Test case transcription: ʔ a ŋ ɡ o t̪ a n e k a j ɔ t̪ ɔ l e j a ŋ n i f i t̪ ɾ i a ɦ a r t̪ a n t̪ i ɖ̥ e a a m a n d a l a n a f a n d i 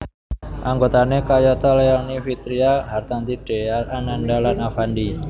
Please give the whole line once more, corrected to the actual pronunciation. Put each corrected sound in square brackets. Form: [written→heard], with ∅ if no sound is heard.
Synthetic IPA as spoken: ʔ a ŋ ɡ o t̪ a n e k a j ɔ t̪ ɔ l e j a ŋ n i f i t̪ ɾ i a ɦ a r t̪ a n t̪ i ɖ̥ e a a [m→n] a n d a l a n a f a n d i